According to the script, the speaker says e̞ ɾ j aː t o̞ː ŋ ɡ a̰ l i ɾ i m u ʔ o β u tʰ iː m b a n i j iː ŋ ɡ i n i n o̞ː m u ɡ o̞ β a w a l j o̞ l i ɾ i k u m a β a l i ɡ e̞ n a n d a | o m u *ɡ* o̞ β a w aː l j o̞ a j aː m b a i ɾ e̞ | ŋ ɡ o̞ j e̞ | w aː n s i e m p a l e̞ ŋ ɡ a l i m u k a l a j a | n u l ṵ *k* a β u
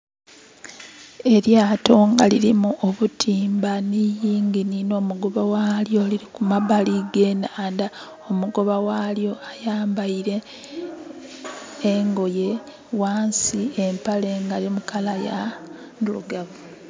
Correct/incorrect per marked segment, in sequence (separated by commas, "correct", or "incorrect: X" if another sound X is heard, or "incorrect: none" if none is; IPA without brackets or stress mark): correct, incorrect: ɡ